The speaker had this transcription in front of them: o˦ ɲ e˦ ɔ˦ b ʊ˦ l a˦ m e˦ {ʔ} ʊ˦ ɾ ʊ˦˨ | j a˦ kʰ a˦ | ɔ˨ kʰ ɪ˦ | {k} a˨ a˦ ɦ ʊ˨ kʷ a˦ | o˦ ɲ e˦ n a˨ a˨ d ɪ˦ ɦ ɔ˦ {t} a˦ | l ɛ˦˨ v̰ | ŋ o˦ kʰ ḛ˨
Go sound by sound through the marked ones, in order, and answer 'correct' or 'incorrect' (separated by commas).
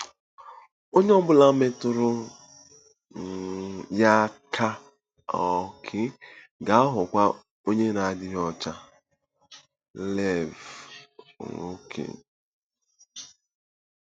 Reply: incorrect, incorrect, incorrect